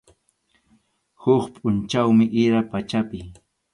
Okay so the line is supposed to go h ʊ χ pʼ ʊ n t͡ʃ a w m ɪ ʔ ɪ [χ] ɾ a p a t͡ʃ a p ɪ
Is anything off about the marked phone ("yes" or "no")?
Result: yes